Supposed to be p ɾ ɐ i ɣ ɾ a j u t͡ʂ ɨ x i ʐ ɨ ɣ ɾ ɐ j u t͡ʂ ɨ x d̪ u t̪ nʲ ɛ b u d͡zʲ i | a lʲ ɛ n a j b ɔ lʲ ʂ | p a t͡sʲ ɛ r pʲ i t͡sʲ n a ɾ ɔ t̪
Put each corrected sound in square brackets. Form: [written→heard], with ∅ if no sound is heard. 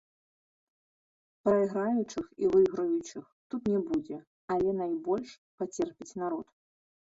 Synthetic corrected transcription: p ɾ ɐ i ɣ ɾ a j u t͡ʂ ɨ x i [ʐ→v] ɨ ɣ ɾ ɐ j u t͡ʂ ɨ x [d̪→t̪] u t̪ nʲ ɛ b u d͡zʲ [i→ɛ] | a lʲ ɛ n a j b ɔ lʲ ʂ | p a t͡sʲ ɛ r pʲ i t͡sʲ n a ɾ ɔ t̪